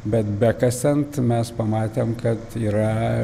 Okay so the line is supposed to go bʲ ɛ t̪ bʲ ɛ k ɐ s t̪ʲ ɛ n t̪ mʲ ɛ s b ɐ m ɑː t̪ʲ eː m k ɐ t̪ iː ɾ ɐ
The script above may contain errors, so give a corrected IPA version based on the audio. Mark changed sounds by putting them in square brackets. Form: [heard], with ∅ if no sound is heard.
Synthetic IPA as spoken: bʲ ɛ t̪ bʲ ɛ k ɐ s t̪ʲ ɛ n t̪ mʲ ɛ s [p] ɐ m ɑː t̪ʲ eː m k ɐ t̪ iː ɾ ɐ